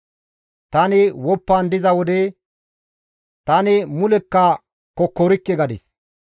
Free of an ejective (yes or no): yes